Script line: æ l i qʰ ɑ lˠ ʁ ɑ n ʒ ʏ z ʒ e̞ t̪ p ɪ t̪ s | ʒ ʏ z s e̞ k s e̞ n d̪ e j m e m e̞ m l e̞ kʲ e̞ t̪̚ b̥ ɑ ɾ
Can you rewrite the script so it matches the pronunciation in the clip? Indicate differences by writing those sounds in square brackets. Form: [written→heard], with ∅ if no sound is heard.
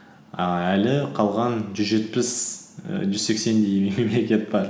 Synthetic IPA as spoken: æ l [i→ɪ] qʰ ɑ lˠ ʁ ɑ n ʒ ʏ z ʒ e̞ t̪ p ɪ [t̪→∅] s | ʒ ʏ z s e̞ k s e̞ n d̪ e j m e m e̞ m l e̞ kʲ e̞ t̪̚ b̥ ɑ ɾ